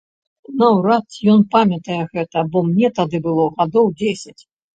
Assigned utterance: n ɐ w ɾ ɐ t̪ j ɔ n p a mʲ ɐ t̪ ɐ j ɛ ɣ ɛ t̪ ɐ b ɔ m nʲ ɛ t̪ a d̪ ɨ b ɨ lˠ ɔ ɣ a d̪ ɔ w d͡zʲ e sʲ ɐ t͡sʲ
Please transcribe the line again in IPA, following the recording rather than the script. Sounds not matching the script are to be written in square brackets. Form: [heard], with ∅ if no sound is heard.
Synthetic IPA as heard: n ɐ w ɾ [a] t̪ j ɔ n p a mʲ ɐ t̪ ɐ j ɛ ɣ ɛ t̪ ɐ b ɔ m nʲ ɛ t̪ a d̪ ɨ b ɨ lˠ ɔ ɣ a d̪ ɔ w d͡zʲ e sʲ ɐ t͡sʲ